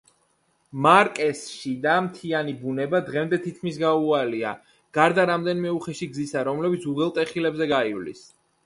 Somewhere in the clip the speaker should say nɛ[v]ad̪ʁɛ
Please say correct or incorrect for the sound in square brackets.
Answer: incorrect